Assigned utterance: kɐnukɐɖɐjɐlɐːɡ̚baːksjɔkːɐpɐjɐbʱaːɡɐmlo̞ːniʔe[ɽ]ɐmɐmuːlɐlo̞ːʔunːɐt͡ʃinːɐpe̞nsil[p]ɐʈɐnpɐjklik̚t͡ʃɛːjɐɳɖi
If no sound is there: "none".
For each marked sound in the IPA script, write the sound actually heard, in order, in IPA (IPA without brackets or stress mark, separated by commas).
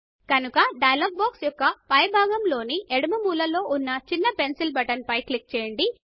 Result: ɽ, b